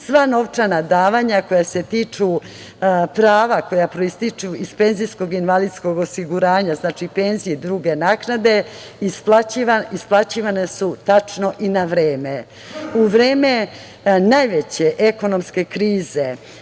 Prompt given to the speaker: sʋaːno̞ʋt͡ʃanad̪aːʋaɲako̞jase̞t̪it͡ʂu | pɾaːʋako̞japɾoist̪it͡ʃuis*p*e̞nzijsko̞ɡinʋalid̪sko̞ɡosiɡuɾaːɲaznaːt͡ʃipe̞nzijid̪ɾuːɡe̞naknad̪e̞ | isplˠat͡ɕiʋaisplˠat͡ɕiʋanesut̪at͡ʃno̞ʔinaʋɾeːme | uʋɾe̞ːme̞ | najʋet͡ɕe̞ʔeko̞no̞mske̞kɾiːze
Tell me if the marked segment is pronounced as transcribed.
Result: yes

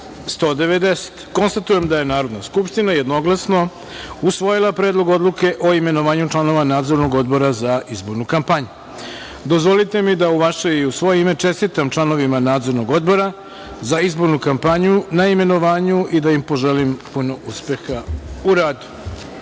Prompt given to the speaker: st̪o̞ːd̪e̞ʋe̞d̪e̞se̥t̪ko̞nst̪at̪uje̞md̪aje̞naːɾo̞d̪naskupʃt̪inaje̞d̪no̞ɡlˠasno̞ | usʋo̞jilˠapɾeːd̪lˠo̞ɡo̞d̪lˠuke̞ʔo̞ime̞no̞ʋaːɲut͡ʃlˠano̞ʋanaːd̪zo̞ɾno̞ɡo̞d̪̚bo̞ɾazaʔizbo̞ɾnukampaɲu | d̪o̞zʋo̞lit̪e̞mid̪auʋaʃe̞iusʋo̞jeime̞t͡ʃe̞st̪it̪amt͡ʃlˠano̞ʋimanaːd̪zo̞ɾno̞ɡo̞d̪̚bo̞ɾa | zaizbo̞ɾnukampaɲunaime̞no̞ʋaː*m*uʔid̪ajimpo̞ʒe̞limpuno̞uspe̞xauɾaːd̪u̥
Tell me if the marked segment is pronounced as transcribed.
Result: no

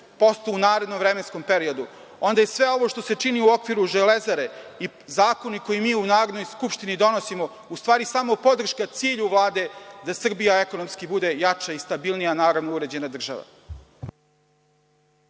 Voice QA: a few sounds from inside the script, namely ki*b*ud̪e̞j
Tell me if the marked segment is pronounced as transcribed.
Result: yes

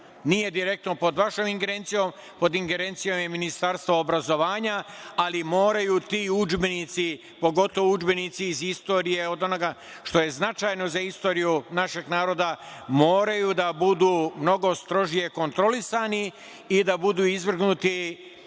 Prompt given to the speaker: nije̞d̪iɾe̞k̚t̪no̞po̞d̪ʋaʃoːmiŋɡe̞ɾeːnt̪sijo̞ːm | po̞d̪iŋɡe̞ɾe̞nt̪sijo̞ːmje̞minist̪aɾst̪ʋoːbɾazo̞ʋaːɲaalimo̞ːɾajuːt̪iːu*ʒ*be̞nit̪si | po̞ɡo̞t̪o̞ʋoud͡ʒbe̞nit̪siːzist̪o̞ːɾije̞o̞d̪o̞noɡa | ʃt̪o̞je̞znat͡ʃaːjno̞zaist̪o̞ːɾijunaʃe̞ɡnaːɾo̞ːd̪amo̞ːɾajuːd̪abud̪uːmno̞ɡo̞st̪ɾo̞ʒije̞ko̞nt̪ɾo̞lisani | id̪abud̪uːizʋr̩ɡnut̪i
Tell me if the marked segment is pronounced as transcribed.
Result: no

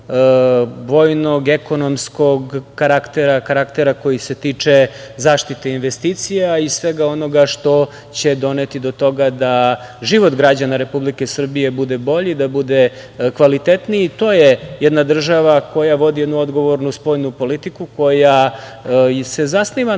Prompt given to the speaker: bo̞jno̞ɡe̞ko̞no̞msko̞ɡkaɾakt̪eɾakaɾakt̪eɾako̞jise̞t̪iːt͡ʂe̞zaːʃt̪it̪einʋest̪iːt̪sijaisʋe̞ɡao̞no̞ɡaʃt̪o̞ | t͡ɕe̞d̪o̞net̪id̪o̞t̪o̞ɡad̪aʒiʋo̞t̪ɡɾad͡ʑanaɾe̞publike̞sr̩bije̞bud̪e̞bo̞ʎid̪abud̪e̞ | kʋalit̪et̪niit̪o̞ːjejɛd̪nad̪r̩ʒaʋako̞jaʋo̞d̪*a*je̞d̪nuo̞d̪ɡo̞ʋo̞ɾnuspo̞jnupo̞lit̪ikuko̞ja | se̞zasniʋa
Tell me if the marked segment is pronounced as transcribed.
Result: no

